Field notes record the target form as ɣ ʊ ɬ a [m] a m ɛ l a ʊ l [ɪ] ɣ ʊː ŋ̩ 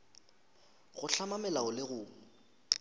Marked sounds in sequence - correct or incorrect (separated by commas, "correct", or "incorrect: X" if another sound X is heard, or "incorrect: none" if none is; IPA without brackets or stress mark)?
correct, correct